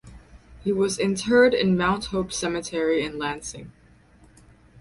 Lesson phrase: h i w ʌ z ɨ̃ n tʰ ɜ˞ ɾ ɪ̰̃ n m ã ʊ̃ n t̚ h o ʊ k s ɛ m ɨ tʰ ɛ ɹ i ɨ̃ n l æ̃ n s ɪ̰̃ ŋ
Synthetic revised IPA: h i w ʌ z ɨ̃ n tʰ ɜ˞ ɾ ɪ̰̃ n m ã ʊ̃ n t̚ h o ʊ p s ɛ m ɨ tʰ ɛ ɹ i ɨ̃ n l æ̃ n s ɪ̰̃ ŋ